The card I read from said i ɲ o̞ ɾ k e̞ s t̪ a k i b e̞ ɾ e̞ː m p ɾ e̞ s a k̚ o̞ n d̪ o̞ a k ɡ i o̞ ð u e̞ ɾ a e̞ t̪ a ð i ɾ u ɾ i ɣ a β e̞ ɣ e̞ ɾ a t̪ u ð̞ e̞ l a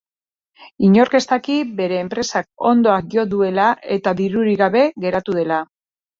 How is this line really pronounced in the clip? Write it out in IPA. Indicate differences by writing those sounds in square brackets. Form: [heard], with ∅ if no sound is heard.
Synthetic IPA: i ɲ o̞ ɾ k e̞ s t̪ a k i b e̞ ɾ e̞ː m p ɾ e̞ s a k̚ o̞ n d̪ o̞ a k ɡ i o̞ ð u e̞ [l] a e̞ t̪ a ð i ɾ u ɾ i ɣ a β e̞ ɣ e̞ ɾ a t̪ u ð̞ e̞ l a